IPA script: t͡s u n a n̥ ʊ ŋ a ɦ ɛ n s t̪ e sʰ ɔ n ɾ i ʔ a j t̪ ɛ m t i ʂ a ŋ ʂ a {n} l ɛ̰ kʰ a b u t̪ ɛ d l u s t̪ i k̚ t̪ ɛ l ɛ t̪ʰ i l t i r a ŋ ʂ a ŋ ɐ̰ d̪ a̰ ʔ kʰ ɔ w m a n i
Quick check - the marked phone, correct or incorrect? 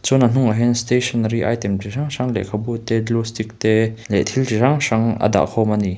incorrect